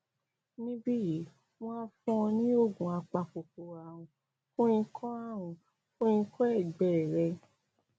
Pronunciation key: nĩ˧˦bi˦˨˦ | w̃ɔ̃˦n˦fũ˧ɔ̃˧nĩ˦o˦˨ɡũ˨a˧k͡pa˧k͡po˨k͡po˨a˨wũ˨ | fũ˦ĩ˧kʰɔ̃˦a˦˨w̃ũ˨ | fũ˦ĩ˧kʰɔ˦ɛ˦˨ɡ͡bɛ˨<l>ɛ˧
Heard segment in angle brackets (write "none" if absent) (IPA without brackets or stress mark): ɾ